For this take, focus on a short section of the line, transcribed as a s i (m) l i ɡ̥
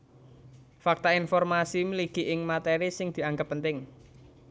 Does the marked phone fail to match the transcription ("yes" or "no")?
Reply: no